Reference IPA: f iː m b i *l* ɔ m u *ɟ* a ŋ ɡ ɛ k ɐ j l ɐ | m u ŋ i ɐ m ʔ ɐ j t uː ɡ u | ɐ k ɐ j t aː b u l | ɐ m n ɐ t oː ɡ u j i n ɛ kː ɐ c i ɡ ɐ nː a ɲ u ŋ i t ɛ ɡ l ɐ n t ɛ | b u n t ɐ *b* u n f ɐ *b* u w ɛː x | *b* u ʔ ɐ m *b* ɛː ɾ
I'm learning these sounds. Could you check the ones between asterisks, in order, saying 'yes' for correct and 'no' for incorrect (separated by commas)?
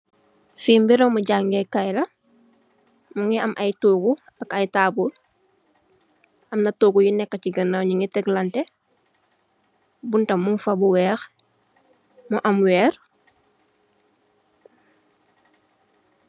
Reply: no, yes, no, yes, no, no